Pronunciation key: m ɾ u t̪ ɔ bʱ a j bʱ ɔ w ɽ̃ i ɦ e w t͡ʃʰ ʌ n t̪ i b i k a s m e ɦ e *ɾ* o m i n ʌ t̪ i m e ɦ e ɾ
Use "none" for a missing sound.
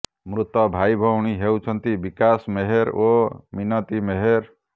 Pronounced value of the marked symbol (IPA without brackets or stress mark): ɾ